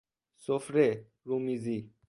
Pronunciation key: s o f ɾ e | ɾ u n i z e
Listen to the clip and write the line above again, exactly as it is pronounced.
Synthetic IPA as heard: s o f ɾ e | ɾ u m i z i